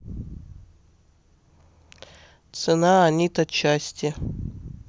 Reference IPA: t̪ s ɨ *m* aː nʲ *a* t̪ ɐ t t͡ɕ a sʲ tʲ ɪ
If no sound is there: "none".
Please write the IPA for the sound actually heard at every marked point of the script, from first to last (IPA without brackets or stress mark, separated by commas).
n, i